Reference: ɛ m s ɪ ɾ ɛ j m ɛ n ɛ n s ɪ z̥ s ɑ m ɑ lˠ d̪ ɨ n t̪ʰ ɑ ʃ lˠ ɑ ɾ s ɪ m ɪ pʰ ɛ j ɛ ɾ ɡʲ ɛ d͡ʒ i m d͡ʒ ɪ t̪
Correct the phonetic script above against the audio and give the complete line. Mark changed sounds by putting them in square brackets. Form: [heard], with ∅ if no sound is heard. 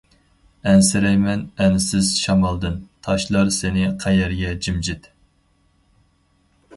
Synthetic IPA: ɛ [n] s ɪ ɾ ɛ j m ɛ n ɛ n s ɪ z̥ [ʃ] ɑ m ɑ lˠ d̪ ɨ n t̪ʰ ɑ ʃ lˠ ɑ ɾ s ɪ [n] ɪ [qʰ] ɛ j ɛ ɾ ɡʲ ɛ d͡ʒ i m d͡ʒ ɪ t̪